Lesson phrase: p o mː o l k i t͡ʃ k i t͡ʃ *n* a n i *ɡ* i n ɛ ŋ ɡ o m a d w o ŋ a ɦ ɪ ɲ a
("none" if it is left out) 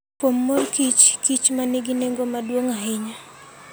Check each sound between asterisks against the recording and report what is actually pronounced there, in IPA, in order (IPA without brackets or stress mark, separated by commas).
m, ɡ